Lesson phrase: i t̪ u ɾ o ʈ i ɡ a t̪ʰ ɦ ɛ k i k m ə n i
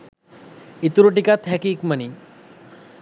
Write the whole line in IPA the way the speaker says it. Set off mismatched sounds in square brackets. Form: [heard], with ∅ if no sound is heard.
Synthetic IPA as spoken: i t̪ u ɾ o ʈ i [k] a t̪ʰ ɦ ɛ k i k m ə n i